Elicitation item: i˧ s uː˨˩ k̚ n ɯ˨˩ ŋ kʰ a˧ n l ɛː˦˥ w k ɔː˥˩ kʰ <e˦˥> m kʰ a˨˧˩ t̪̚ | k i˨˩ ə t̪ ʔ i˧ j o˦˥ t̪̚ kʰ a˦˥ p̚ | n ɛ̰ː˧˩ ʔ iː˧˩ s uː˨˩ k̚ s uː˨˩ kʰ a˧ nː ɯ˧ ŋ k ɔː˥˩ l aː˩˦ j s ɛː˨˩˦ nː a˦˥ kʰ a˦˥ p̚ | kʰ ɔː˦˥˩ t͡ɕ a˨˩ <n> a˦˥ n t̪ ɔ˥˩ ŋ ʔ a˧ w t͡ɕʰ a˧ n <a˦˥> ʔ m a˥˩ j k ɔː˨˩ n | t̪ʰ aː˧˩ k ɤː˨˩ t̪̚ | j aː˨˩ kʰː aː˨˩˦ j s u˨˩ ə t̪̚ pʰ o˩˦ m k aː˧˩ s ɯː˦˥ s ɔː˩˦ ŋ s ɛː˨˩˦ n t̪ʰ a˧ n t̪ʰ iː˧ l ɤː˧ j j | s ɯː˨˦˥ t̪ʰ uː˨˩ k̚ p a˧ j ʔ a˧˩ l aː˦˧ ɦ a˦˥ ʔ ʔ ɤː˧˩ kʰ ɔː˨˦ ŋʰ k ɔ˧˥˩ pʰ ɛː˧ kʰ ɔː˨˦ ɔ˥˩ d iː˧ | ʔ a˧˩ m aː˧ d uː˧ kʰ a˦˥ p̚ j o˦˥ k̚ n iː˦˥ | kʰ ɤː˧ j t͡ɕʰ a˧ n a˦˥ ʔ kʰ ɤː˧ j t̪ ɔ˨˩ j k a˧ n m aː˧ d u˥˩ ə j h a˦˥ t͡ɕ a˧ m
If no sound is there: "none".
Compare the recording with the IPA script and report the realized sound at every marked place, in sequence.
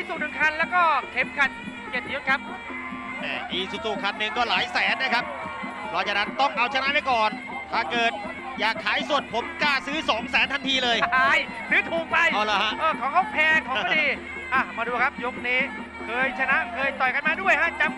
e˦˥, n, a˦˥

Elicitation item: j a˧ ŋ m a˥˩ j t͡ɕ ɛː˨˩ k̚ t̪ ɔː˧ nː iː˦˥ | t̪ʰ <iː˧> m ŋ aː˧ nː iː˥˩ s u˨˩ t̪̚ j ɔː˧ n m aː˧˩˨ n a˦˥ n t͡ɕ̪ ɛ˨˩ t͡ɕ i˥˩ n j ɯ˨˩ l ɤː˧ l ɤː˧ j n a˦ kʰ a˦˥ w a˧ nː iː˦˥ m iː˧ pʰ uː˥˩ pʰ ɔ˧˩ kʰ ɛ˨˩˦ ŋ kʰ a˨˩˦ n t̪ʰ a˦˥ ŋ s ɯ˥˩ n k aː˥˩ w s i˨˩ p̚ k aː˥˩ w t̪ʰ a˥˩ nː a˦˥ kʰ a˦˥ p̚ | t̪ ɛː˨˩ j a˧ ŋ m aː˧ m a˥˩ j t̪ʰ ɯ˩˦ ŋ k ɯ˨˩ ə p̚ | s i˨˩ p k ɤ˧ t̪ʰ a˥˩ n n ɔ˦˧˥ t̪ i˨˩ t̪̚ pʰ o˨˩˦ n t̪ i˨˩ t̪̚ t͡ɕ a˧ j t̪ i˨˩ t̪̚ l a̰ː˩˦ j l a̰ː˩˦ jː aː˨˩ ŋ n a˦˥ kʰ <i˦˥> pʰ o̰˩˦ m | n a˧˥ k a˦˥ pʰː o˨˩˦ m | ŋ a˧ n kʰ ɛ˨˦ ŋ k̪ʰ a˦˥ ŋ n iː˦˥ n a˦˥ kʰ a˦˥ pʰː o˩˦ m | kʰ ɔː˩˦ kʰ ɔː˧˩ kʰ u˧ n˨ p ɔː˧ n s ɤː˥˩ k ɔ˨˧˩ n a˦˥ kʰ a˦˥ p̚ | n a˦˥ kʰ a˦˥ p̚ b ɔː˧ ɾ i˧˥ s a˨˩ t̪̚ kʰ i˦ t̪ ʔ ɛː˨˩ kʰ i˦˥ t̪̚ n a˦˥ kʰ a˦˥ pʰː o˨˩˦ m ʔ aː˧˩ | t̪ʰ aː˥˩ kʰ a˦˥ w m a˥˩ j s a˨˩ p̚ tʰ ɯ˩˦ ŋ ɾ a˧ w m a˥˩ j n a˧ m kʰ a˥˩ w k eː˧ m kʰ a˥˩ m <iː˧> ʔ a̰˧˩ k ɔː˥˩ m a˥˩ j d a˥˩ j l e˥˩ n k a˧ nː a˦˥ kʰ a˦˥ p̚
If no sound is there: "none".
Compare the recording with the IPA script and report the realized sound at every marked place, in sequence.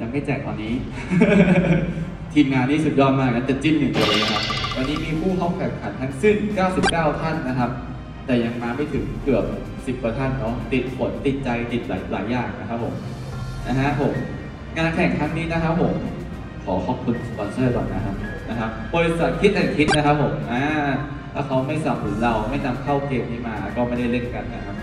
iː˧, a˦˥, aː˧

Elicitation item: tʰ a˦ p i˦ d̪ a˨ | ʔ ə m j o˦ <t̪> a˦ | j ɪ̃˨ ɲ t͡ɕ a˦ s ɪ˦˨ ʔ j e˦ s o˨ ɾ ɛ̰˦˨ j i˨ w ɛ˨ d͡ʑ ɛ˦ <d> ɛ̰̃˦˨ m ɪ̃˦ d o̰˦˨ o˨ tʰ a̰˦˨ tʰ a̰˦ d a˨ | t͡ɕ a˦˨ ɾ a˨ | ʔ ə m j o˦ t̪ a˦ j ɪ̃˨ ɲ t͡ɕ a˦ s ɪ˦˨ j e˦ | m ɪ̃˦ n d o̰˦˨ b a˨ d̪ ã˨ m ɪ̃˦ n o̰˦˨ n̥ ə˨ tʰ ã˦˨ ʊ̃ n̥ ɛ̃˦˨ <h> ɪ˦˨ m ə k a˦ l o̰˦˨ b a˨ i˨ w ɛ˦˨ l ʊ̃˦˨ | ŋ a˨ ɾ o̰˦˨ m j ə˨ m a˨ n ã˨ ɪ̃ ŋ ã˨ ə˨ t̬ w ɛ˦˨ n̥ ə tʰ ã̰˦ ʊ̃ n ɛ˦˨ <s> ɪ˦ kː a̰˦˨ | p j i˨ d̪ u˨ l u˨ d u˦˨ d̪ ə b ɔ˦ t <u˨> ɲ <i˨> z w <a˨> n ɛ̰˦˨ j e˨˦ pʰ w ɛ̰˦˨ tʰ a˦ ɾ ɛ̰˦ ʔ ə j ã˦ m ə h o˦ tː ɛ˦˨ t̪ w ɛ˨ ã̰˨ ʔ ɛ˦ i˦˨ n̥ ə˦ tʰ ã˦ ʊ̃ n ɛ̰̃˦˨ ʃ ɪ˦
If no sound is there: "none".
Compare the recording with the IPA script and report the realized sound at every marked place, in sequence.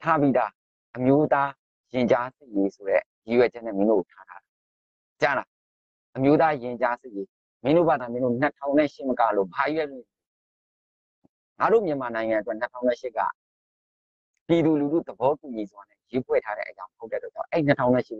t̪, n, ʃ, ʃ, u˨, i˨, a˨

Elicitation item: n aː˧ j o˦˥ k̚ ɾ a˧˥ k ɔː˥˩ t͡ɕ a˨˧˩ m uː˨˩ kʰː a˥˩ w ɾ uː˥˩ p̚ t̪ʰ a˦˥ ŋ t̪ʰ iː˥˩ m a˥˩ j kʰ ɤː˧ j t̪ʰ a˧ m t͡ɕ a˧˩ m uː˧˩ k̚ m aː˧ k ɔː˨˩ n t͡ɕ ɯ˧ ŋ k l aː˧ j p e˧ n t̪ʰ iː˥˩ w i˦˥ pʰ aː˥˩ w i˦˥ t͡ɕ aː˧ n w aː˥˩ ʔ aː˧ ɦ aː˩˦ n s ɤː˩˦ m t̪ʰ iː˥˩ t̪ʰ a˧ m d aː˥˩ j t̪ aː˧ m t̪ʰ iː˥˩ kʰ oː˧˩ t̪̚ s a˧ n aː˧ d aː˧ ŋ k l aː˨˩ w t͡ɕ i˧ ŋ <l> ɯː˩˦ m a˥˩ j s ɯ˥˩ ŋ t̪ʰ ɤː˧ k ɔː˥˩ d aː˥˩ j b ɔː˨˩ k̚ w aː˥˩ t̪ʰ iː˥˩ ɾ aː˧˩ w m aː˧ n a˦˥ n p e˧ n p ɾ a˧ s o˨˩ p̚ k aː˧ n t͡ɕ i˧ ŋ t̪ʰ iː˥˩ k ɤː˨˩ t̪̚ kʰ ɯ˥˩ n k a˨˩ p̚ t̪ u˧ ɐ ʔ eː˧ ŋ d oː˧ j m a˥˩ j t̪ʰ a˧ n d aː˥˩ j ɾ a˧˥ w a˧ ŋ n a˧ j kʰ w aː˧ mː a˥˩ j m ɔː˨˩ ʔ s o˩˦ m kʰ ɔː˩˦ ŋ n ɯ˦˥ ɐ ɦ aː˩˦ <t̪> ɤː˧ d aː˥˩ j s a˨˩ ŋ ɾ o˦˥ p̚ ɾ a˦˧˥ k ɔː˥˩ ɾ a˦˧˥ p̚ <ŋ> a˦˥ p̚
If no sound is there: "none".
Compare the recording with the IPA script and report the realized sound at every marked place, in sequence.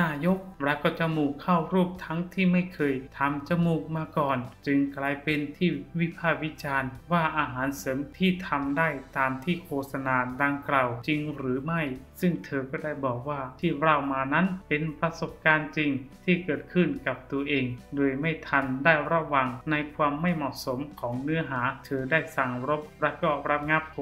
ɾ, t̪ʰ, ŋ

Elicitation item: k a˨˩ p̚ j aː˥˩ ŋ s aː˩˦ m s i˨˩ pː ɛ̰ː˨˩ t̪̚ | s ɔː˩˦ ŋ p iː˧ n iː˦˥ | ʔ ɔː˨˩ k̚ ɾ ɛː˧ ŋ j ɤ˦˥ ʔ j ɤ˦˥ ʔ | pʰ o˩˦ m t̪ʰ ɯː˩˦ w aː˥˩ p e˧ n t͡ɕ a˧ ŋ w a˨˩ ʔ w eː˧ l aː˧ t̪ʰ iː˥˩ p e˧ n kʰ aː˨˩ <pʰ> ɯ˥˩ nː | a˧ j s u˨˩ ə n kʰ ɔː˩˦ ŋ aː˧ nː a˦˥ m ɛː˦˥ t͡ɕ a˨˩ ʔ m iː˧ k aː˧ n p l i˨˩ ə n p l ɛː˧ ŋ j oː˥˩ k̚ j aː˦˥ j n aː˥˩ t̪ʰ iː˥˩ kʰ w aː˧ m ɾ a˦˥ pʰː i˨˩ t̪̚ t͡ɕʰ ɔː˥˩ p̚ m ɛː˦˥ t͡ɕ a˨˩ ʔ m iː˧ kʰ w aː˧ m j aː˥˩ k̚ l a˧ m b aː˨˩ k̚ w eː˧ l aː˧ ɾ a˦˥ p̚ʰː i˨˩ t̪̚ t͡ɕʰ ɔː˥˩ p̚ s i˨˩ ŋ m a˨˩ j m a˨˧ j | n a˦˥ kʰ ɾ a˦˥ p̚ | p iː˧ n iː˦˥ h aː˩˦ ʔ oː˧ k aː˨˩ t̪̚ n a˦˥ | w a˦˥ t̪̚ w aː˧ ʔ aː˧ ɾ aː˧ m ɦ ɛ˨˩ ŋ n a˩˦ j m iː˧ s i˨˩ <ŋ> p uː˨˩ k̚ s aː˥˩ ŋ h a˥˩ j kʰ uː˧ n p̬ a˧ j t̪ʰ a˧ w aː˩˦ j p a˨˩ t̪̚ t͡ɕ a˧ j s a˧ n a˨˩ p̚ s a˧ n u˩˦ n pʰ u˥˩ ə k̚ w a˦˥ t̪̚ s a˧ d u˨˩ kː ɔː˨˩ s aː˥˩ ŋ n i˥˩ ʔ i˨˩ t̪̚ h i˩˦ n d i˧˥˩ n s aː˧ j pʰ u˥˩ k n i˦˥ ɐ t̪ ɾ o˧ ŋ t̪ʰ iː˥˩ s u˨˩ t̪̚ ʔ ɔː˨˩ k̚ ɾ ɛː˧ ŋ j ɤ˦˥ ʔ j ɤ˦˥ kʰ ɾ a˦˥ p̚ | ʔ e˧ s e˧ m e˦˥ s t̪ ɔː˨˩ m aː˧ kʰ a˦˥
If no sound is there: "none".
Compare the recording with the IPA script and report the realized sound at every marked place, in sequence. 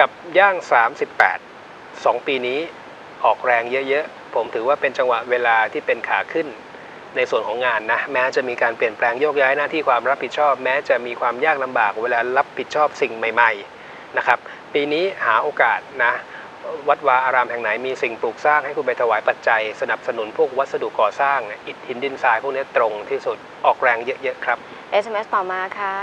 kʰ, ŋ

